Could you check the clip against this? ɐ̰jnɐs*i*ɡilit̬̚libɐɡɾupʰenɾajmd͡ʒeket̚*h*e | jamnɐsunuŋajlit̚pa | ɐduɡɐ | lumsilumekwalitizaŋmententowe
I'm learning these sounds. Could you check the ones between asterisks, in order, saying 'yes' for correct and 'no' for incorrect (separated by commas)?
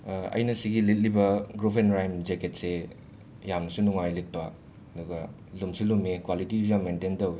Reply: yes, no